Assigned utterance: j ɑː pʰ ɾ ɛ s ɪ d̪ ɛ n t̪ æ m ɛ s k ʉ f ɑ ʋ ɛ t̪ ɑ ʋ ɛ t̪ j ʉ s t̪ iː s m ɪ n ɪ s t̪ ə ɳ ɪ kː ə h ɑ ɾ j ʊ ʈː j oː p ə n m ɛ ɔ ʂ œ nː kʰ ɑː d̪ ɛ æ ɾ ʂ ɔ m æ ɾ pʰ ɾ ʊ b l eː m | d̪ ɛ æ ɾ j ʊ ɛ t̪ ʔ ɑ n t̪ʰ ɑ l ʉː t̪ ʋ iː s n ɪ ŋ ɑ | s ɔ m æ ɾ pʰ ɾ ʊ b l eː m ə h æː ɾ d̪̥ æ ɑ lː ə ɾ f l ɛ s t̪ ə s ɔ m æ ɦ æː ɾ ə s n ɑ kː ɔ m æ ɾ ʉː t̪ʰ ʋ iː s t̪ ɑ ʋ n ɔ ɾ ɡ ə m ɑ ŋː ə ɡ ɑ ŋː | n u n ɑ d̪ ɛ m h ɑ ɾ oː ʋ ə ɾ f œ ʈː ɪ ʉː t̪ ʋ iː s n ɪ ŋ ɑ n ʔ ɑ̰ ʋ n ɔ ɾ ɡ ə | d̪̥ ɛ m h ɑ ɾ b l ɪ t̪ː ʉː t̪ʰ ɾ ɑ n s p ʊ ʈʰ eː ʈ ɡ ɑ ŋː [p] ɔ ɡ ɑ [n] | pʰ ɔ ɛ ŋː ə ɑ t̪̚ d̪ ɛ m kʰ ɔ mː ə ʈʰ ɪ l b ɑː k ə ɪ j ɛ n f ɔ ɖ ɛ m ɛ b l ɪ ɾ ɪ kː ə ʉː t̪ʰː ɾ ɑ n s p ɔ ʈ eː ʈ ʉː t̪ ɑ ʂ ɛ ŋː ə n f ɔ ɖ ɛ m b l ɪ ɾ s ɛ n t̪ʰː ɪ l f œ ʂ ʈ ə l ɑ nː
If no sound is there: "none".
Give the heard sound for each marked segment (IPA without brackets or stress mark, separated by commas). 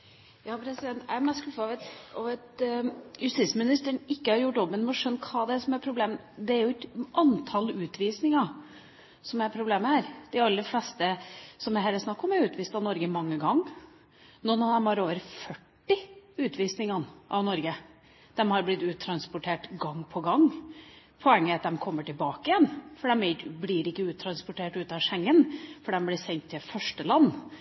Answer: pʰ, ŋ